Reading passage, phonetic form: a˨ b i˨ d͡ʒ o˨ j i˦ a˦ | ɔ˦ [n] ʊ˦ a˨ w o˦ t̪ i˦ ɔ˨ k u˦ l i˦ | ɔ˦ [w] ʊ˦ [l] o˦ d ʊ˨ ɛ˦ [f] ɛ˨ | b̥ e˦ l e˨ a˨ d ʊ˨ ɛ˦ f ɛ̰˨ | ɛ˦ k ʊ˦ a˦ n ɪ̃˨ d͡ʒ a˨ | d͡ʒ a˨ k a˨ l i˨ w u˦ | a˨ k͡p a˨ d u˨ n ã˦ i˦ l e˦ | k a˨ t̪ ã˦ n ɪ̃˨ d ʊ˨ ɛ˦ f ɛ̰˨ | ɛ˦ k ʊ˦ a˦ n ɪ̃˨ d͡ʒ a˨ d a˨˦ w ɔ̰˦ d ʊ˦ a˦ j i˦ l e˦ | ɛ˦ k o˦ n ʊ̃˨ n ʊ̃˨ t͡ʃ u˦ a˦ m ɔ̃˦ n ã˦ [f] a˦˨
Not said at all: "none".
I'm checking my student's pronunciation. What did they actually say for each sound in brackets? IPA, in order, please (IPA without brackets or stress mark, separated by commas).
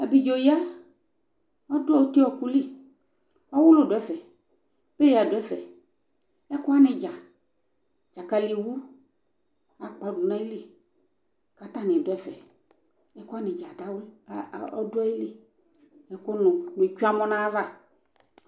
d, w, l, f, v